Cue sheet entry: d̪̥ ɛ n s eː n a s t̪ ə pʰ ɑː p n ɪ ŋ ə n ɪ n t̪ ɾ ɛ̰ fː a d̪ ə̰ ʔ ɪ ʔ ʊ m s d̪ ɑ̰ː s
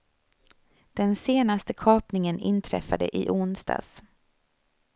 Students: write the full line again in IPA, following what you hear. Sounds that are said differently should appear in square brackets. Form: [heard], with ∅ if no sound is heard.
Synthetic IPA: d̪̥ ɛ n s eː n a s t̪ ə [kʰ] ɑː p n ɪ ŋ ə n ɪ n [t̪ʰ] ɾ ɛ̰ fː a d̪ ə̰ ʔ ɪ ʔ ʊ [n] s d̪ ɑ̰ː s